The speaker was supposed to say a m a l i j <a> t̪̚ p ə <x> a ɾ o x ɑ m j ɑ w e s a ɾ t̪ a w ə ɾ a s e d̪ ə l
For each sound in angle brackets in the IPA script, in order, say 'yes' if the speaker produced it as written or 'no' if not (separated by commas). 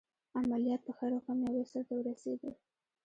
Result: no, yes